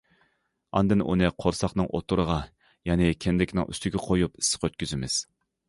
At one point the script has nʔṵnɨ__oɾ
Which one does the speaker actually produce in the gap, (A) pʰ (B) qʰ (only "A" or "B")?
B